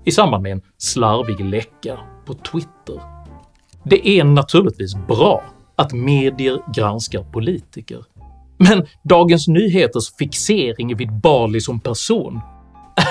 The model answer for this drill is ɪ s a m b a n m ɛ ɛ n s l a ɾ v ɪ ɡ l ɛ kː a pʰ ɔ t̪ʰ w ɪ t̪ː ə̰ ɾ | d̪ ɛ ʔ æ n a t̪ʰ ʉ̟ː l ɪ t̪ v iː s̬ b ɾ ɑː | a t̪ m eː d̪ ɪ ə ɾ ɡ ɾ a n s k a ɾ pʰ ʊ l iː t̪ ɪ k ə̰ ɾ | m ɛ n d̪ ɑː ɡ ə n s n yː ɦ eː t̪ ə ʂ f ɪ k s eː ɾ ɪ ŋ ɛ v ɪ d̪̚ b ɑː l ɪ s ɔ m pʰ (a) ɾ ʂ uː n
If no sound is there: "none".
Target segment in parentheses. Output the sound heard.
æ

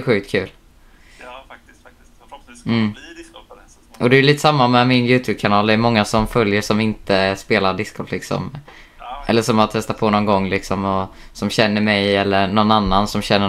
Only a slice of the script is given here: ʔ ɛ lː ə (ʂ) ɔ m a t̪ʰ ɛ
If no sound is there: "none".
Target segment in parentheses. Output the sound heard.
ʂ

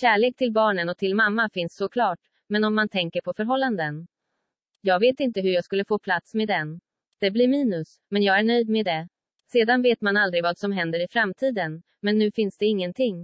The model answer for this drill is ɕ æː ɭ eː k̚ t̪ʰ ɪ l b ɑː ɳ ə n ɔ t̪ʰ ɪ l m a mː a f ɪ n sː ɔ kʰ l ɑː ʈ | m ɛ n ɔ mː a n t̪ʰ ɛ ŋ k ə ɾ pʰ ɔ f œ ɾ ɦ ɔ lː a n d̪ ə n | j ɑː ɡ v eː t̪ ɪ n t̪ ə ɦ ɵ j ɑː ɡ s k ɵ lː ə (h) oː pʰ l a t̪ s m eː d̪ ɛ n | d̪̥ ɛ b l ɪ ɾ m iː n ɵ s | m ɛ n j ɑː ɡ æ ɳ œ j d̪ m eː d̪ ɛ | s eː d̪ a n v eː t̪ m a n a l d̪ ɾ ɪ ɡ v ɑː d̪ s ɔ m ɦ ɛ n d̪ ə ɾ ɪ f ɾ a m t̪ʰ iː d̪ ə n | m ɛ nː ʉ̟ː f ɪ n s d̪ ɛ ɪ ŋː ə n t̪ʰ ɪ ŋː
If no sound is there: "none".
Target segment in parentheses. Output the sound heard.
f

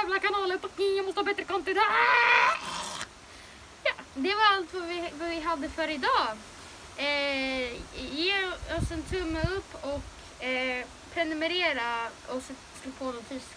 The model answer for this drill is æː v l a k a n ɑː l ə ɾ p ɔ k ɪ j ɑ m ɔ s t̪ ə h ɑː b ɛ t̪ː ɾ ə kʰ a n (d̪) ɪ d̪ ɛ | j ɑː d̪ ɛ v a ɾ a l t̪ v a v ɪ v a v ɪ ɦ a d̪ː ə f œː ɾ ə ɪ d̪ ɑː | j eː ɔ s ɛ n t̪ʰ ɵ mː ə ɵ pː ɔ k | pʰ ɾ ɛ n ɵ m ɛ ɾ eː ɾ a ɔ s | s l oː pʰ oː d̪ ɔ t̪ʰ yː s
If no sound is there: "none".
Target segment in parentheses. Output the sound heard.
t̪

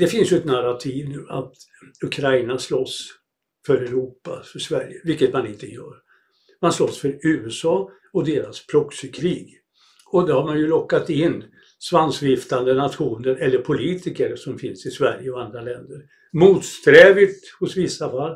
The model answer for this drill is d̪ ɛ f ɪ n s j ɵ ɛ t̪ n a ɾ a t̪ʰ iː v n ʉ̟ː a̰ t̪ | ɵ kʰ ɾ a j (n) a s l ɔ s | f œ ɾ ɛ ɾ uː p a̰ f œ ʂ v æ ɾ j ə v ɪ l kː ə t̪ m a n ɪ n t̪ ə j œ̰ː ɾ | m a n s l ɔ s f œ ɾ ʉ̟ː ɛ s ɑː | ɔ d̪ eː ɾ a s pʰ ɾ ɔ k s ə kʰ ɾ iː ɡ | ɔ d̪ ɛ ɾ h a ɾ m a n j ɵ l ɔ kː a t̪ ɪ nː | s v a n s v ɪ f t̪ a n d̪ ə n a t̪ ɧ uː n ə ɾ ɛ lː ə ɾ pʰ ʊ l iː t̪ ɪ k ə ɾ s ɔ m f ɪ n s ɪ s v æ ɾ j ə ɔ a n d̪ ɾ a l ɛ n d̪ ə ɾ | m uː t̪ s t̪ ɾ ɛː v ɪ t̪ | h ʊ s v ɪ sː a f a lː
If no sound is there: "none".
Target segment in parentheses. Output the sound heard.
n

